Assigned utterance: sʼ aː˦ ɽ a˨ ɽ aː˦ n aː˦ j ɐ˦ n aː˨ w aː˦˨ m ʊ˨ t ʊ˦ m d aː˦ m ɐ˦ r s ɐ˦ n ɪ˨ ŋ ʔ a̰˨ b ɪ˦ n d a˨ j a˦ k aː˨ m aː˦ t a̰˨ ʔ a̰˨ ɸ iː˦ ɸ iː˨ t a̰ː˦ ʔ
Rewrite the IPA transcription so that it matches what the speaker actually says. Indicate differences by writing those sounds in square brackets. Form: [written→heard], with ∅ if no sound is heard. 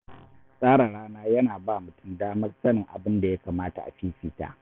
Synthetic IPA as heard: sʼ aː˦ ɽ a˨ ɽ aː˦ n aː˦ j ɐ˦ n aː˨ [w→b] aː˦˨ m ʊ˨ t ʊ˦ m d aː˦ m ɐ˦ r s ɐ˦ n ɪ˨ ŋ ʔ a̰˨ b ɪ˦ n d a˨ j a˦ k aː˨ m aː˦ t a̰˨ ʔ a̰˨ ɸ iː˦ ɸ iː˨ t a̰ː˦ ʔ